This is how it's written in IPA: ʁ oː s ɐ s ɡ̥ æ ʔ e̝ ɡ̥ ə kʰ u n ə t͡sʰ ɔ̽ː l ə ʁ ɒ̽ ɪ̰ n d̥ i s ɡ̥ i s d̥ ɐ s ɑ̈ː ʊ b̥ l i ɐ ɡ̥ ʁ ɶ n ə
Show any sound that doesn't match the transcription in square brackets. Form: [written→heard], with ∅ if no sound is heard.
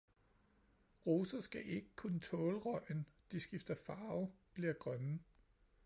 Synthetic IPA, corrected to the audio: ʁ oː s ɐ s ɡ̥ æ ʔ e̝ ɡ̥ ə kʰ u n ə t͡sʰ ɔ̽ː l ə ʁ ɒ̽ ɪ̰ n d̥ i s ɡ̥ i [s→f] d̥ ɐ [s→f] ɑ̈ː ʊ b̥ l i ɐ ɡ̥ ʁ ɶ n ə

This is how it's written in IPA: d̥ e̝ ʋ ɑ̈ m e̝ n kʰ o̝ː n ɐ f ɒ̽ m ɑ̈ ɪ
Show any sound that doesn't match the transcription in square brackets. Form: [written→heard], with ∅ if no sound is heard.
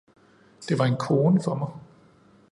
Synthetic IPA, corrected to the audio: d̥ e̝ ʋ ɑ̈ [m→∅] e̝ n kʰ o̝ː n [ɐ→ə] f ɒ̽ m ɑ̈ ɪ

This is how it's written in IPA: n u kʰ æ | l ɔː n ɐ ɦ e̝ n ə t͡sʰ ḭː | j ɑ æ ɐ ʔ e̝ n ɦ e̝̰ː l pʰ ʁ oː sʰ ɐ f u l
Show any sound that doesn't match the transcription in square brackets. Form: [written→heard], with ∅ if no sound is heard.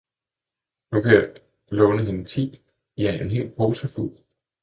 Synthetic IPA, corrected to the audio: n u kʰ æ | l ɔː n [ɐ→ə] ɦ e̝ n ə t͡sʰ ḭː | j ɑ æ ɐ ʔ e̝ n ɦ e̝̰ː l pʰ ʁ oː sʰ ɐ f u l

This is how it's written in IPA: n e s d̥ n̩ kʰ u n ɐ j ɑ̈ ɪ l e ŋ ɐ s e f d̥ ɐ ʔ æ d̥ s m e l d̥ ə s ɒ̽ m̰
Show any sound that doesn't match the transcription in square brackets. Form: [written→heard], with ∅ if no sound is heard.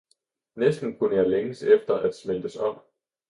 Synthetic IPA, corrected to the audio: n e s d̥ n̩ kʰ u n [ɐ→ə] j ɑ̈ ɪ l e ŋ [ɐ→ə] s e f d̥ ɐ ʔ æ d̥ s m e l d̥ ə s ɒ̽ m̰

